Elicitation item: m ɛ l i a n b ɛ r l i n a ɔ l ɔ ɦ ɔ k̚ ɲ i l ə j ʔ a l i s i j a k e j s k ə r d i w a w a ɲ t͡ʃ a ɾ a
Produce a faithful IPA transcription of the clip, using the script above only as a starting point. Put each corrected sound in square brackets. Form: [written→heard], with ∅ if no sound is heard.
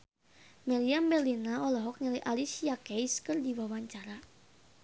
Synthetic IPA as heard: m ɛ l i a [n→m] b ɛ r l i n a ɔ l ɔ ɦ ɔ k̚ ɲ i l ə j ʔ a l i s i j a k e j s k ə r d i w a w a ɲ t͡ʃ a ɾ a

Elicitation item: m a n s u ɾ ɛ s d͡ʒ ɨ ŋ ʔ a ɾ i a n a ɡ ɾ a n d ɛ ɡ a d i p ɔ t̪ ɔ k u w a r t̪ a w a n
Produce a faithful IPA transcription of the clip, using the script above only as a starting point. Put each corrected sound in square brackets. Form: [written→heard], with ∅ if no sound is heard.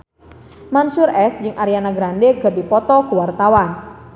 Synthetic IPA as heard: m a n s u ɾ ɛ s d͡ʒ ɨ ŋ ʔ a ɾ i a n a ɡ ɾ a n d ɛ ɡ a d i p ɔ t̪ ɔ k u w a r t̪ a w a n

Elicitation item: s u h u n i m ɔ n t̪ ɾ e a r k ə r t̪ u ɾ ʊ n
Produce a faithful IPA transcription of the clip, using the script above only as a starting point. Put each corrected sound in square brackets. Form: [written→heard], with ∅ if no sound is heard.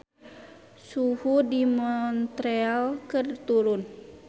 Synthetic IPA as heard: s u h u [n→d] i m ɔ n t̪ ɾ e a [r→l] k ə r t̪ u ɾ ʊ n

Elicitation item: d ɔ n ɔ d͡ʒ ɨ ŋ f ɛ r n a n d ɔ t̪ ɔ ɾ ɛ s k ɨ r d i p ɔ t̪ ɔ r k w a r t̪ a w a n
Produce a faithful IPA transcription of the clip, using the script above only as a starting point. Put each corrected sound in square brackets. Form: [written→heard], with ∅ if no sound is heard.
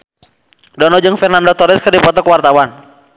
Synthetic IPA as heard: d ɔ n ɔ d͡ʒ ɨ ŋ f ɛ r n a n d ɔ t̪ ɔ ɾ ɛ s k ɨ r d i p ɔ t̪ ɔ [r→∅] k w a r t̪ a w a n

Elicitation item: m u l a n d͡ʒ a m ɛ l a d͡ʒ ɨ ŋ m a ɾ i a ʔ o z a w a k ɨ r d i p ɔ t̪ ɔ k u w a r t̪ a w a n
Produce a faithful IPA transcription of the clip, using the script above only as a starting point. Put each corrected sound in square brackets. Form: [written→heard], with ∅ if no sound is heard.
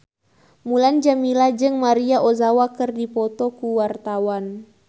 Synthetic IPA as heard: m u l a n d͡ʒ a m [ɛ→i] l a d͡ʒ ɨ ŋ m a ɾ i a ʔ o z a w a k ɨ r d i p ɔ t̪ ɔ k u w a r t̪ a w a n

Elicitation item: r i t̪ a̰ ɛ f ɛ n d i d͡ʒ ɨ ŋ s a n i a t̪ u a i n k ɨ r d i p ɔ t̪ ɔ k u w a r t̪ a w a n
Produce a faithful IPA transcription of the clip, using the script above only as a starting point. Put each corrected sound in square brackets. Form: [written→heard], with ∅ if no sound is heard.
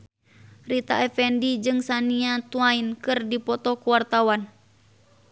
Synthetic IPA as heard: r i t̪ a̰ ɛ f ɛ n d i d͡ʒ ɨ ŋ s a n i a t̪ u a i n k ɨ r d i p ɔ t̪ ɔ k u w a r t̪ a w a n

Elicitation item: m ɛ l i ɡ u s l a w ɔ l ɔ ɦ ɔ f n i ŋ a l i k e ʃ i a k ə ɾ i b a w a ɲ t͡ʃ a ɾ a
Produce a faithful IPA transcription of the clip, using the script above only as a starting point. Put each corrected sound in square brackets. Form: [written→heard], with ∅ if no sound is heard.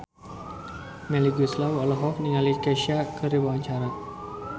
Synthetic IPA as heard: m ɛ l i ɡ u s l a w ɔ l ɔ ɦ ɔ f n i ŋ a l i k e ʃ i a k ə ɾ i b a w a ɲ t͡ʃ a ɾ a

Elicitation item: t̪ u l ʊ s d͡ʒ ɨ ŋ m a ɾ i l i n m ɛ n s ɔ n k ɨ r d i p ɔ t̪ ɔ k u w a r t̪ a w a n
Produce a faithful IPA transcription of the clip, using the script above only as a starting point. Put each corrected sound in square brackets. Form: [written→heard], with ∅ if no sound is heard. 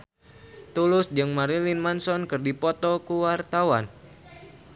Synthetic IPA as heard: t̪ u l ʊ s d͡ʒ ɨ ŋ m a ɾ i l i n m [ɛ→a] n s ɔ n k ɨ r d i p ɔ t̪ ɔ k u w a r t̪ a w a n

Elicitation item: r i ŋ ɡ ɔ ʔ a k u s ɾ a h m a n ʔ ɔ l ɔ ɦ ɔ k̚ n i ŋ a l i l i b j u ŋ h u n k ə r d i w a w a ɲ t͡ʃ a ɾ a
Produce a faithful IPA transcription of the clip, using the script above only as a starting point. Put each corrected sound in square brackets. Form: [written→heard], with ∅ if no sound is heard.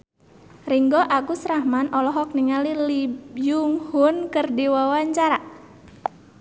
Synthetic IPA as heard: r i ŋ ɡ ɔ ʔ a k u s ɾ a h m a n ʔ ɔ l ɔ ɦ ɔ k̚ n i ŋ a l i l i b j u ŋ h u n k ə r d i w a w a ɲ t͡ʃ a ɾ a

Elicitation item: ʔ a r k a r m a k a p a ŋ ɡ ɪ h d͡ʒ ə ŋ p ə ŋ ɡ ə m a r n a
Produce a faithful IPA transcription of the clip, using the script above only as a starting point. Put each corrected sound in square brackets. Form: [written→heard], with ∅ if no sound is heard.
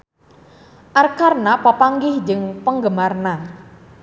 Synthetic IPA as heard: ʔ a r k a r [m→n] a [k→p] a p a ŋ ɡ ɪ h d͡ʒ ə ŋ p ə ŋ ɡ ə m a r n a

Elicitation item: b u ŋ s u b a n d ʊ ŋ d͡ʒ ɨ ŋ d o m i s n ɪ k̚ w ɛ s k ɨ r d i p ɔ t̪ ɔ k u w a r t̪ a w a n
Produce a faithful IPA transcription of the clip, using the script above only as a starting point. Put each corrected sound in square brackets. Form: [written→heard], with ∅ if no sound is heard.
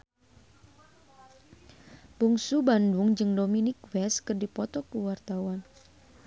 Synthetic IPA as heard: b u ŋ s u b a n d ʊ ŋ d͡ʒ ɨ ŋ d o m i [s→∅] n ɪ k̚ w ɛ s k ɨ r d i p ɔ t̪ ɔ k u w a r t̪ a w a n

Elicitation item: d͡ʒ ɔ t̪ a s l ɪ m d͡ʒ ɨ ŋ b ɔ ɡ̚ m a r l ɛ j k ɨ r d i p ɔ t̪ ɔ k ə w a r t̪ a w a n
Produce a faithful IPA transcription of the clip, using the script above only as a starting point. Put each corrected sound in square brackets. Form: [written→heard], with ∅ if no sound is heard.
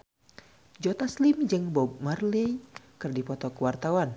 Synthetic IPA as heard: d͡ʒ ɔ t̪ a s l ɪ m d͡ʒ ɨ ŋ b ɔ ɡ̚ m a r l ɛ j k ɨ r d i p ɔ t̪ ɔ k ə w a r t̪ a w a n

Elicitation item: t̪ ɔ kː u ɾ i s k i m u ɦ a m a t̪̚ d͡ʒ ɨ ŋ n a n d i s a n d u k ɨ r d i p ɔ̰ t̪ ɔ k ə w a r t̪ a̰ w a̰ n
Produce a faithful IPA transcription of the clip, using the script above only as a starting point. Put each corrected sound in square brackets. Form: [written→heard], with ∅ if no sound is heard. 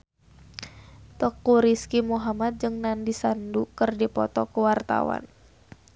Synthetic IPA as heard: t̪ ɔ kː u ɾ i s k i m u ɦ a m a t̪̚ d͡ʒ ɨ ŋ n a n d i s a n d u k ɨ r d i p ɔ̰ t̪ ɔ k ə w a r t̪ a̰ w a̰ n

